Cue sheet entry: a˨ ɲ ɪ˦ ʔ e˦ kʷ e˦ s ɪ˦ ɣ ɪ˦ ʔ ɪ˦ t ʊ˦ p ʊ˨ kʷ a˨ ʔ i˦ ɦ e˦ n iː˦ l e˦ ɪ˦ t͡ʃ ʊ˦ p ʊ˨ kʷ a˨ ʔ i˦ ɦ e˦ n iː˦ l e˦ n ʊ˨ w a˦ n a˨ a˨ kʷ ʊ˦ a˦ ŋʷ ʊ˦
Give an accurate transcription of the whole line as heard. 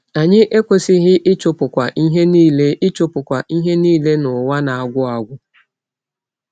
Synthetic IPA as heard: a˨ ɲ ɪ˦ ʔ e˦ kʷ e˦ s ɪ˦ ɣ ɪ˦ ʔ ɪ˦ t͡ʃ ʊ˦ p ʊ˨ kʷ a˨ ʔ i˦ ɦ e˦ n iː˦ l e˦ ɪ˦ t͡ʃ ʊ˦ p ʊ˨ kʷ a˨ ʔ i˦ ɦ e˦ n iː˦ l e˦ n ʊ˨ w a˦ n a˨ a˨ ɡʷ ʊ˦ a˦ ɡʷ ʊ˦